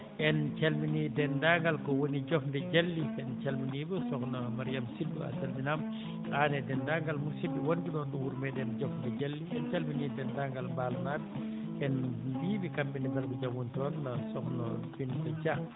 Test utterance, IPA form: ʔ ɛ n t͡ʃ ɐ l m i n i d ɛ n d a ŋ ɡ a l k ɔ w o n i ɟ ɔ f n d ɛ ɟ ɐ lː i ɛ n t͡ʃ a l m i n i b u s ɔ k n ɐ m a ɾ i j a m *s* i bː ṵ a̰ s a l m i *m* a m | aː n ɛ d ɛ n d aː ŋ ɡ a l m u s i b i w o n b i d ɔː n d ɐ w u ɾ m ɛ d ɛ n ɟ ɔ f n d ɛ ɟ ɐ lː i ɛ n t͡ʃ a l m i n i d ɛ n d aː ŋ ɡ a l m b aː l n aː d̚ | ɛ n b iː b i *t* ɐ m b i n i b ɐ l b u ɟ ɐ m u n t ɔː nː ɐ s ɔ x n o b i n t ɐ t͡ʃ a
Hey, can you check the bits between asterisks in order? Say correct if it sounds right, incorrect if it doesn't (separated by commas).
correct, incorrect, incorrect